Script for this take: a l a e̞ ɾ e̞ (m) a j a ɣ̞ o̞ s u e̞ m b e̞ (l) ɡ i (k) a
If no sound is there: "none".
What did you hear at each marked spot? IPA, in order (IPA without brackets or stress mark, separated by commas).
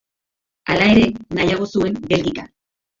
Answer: n, l, k